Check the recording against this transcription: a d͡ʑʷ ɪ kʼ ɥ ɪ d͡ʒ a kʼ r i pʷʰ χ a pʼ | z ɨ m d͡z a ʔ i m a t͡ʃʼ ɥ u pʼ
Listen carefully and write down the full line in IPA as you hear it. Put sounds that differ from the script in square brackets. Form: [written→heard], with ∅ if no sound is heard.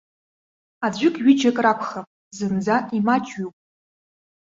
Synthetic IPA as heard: a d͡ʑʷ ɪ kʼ ɥ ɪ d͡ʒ a kʼ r [i→a] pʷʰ χ a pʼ | z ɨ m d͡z a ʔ i m a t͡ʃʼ ɥ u pʼ